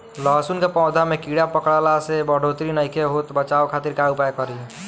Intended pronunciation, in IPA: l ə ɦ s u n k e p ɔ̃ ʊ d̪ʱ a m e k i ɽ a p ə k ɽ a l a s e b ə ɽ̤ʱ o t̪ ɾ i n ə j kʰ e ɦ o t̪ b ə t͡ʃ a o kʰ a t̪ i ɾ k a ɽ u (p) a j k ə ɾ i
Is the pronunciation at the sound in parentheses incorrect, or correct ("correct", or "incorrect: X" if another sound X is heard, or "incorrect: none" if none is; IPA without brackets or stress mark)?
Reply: correct